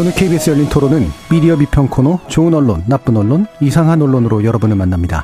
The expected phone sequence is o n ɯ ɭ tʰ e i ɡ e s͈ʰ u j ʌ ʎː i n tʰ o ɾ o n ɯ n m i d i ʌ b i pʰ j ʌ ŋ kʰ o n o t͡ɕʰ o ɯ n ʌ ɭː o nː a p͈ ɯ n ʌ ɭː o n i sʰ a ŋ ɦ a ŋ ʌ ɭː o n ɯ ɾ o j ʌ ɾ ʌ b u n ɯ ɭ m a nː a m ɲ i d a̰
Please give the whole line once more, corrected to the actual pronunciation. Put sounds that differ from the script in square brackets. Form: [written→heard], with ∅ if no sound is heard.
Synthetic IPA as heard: o n ɯ ɭ [tʰ→kʰ] e i [ɡ→b] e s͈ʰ [u→ɯ] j ʌ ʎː i n tʰ o ɾ o n ɯ n m i d i ʌ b i pʰ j ʌ ŋ kʰ o n o [t͡ɕʰ→t͡ɕ] o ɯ n ʌ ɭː o nː a p͈ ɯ n ʌ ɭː o n i sʰ a ŋ ɦ a [ŋ→n] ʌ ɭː o n ɯ ɾ o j ʌ ɾ ʌ b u n ɯ ɭ m a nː a m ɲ i d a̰